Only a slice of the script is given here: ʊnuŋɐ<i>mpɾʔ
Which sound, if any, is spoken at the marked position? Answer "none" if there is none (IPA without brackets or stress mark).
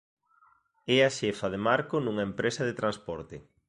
e